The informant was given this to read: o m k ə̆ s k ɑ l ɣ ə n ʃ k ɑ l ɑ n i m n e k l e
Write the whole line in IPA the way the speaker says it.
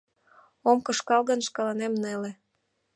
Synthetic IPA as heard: o m k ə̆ ʃ k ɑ l ɣ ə n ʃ k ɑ l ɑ n e m n e l e